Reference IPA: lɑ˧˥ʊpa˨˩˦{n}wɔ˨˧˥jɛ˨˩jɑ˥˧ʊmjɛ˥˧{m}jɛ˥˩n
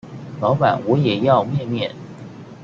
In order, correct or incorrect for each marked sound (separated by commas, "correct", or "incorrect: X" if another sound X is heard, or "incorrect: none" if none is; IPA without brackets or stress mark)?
correct, correct